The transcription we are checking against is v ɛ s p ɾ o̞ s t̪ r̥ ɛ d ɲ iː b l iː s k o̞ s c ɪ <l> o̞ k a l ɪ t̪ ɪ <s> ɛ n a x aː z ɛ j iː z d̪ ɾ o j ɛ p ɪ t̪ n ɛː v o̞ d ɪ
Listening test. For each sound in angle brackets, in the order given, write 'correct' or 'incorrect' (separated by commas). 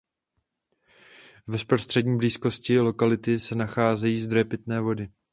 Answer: correct, correct